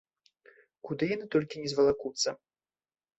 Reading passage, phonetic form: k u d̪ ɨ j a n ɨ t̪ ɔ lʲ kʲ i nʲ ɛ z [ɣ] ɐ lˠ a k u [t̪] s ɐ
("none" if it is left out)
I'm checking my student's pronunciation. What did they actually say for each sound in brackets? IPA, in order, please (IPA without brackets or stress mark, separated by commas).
v, t̪